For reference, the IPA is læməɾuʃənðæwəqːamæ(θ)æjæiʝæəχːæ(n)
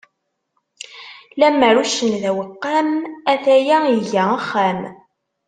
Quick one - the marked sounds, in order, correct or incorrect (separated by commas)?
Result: correct, incorrect